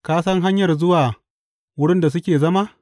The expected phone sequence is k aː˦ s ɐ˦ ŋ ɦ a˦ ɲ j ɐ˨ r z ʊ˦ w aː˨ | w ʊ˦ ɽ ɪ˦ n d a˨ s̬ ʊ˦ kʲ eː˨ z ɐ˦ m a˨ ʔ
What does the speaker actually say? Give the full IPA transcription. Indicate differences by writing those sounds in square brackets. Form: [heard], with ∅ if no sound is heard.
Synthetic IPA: k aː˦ s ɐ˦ ŋ ɦ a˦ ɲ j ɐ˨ r z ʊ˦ w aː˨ | w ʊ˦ ɽ ɪ˦ n d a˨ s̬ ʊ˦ kʲ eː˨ z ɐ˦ m [a˦] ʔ